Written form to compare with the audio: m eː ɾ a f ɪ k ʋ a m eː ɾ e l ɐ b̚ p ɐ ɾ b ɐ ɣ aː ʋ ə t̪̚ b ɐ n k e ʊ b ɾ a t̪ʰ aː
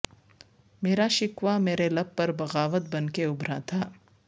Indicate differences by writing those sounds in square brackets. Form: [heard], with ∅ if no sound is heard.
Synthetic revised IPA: m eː ɾ a [ʃ] ɪ k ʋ a m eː ɾ e l ɐ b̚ p ɐ ɾ b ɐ ɣ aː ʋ ə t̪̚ b ɐ n k e ʊ b ɾ a t̪ʰ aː